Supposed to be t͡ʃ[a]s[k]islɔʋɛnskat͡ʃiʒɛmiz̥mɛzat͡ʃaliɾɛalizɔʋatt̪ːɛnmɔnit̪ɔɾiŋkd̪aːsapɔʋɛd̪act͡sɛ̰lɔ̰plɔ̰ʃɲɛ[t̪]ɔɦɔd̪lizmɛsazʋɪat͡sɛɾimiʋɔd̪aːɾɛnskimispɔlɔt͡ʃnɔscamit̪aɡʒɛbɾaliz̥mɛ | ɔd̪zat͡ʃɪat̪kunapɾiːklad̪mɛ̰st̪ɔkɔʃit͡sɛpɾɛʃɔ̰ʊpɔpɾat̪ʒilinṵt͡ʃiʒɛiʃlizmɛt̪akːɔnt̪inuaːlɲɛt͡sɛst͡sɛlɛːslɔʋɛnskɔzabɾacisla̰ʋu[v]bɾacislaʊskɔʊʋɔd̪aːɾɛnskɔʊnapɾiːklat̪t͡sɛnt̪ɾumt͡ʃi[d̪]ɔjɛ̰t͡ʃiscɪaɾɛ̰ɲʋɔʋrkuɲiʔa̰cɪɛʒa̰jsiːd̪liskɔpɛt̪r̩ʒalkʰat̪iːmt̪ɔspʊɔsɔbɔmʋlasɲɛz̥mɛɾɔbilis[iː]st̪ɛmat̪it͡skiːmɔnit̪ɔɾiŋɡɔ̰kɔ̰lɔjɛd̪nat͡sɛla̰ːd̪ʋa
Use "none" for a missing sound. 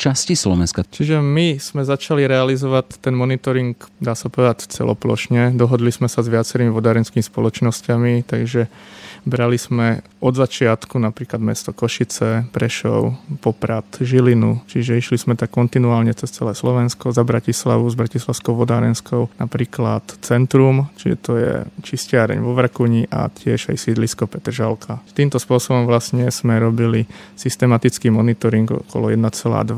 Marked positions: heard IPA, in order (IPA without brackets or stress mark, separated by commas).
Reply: a, c, d̪, z, t̪, i